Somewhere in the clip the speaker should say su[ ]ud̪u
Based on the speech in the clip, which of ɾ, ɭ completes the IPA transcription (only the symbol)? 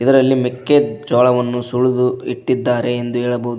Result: ɭ